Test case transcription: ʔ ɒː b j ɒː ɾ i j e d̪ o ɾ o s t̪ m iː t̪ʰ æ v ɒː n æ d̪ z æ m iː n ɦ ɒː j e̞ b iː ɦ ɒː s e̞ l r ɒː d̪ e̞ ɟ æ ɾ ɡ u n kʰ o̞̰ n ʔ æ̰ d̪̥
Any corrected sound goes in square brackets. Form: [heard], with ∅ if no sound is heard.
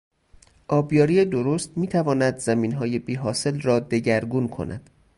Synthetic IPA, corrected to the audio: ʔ ɒː b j ɒː ɾ i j e d̪ o ɾ o s t̪ m iː t̪ʰ æ v ɒː n æ d̪ z æ m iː n ɦ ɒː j e̞ b iː ɦ ɒː s e̞ l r ɒː d̪ e̞ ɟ æ ɾ ɡ u n kʰ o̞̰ n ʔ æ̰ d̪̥